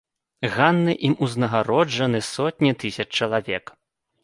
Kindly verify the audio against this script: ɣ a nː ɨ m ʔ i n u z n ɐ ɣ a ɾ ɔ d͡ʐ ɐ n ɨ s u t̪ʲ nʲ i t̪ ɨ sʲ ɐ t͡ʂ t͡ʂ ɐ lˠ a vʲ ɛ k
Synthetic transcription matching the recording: ɣ a nː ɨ ʔ i m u z n ɐ ɣ a ɾ ɔ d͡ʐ ɐ n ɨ s ɔ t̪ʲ nʲ i t̪ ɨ sʲ ɐ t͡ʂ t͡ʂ ɐ lˠ a vʲ ɛ k